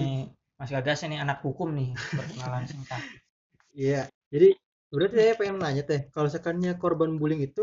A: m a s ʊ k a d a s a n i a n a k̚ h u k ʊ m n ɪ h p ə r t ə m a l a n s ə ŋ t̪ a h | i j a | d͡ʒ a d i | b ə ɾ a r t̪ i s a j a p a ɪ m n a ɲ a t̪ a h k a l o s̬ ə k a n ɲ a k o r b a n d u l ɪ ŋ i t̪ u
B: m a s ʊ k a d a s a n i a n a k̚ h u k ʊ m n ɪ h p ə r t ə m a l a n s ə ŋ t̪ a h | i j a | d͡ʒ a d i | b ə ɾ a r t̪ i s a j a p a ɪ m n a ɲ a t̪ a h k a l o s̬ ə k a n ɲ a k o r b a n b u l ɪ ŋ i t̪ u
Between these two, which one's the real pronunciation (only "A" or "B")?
B